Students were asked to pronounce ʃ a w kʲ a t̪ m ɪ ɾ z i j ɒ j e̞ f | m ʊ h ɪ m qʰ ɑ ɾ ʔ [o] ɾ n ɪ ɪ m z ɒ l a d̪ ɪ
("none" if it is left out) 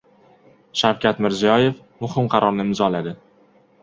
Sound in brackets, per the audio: ɒ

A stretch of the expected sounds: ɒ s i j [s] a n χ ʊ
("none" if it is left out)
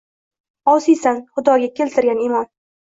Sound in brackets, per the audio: s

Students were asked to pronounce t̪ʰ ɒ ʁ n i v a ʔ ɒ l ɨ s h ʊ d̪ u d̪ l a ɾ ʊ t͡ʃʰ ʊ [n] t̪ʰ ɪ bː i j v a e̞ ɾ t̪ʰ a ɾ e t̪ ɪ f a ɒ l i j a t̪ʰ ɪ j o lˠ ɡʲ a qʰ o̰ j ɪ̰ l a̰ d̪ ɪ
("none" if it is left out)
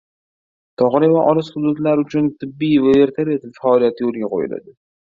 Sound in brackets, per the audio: n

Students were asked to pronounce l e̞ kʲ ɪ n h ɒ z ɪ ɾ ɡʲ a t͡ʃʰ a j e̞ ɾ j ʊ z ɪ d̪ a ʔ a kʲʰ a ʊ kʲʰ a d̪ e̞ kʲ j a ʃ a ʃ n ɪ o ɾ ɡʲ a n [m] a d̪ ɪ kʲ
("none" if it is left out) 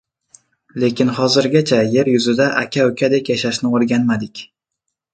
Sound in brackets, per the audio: m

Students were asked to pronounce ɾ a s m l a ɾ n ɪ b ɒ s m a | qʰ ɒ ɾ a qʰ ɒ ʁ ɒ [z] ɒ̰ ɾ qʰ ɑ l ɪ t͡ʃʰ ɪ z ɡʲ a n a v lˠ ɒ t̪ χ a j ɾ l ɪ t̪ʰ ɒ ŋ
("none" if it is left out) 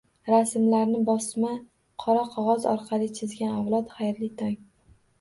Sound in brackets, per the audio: z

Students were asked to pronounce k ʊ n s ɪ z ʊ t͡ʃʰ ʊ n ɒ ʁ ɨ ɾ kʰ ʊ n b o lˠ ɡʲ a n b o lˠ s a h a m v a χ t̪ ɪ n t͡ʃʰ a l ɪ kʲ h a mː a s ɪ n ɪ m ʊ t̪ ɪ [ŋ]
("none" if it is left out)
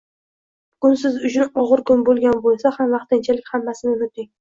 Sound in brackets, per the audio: ŋ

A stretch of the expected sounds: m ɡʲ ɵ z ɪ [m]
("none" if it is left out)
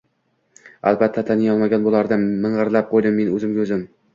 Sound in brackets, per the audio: m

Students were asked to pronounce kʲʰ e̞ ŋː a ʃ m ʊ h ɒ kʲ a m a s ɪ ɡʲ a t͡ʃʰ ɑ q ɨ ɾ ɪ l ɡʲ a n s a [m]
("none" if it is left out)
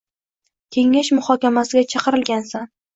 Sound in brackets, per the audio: n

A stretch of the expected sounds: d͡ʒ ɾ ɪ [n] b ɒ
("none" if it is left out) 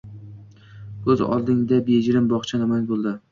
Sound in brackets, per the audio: m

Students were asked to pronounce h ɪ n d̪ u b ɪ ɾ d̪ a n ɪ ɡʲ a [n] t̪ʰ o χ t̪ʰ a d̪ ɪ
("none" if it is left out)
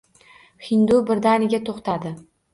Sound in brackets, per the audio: none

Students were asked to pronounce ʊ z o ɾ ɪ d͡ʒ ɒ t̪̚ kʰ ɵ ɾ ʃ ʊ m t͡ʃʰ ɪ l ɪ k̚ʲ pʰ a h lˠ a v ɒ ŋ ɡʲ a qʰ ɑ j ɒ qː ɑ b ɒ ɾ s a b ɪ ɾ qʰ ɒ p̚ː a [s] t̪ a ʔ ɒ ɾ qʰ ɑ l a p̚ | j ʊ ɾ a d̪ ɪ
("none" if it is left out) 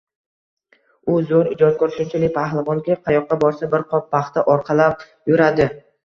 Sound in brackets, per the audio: χ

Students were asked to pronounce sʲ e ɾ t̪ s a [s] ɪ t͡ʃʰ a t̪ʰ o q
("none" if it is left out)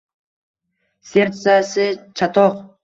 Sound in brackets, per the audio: s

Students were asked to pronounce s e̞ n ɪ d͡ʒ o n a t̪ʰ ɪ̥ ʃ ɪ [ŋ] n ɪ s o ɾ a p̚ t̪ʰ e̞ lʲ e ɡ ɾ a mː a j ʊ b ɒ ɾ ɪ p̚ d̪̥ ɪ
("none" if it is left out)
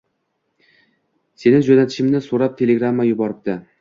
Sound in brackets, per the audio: m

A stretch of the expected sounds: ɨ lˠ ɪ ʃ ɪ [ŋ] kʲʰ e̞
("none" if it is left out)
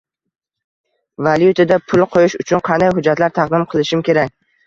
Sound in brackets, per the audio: m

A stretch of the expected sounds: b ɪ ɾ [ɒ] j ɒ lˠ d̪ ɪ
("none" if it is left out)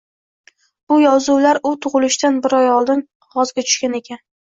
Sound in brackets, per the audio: ɒ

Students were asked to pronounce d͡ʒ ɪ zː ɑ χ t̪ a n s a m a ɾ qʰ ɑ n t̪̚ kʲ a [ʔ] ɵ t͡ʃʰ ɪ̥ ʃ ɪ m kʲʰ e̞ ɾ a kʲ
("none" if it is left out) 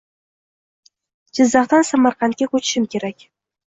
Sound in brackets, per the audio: k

